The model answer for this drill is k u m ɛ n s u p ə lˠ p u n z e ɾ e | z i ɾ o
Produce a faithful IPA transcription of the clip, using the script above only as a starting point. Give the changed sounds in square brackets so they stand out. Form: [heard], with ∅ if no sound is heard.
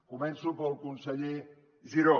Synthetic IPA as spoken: k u m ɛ n s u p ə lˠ [k] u n [s] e [ʎ] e | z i ɾ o